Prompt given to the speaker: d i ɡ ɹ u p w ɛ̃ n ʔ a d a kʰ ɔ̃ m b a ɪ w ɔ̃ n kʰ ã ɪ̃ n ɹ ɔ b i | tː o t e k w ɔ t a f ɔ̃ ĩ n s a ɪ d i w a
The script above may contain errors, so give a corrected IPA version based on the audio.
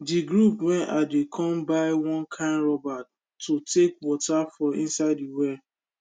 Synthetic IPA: d i ɡ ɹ u p w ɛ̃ n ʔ a d e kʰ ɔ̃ m b a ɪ w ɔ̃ n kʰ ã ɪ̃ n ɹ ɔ b a | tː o t e k w ɔ t a f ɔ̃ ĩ n s a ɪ d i w ɛ